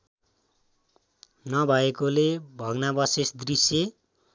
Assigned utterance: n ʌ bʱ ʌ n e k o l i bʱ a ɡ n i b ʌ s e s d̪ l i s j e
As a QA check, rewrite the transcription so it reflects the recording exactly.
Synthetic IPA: n ʌ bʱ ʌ e k o l e bʱ ʌ ɡ n a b ʌ s e s d̪ r i s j e